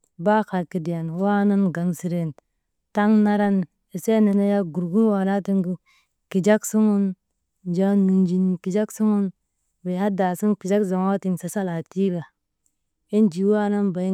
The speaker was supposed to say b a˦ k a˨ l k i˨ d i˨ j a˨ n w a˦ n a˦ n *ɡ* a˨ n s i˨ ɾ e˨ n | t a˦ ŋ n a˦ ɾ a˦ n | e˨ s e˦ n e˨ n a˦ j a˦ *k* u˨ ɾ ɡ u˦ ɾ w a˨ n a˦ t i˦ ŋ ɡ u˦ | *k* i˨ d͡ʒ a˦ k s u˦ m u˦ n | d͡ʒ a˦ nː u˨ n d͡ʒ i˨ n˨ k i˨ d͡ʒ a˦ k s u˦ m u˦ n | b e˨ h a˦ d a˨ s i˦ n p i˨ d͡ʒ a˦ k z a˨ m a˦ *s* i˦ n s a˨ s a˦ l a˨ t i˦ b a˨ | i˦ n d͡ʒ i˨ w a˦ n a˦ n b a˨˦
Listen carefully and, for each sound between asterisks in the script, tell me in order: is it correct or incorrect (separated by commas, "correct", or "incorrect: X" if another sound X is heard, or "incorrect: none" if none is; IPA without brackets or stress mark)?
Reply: correct, incorrect: ɡ, correct, incorrect: t